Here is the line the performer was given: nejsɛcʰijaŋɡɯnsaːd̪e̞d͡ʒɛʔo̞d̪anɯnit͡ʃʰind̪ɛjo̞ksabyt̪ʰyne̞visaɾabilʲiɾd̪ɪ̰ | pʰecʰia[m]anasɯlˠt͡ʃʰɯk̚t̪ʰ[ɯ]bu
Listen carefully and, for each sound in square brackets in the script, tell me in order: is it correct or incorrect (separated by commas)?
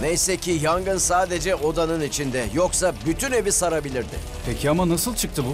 correct, correct